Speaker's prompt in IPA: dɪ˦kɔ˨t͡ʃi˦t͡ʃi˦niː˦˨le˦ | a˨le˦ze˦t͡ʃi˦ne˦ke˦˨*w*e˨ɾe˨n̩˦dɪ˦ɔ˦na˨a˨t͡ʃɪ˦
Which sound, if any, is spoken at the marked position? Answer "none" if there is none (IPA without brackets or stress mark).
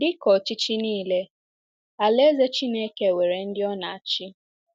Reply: w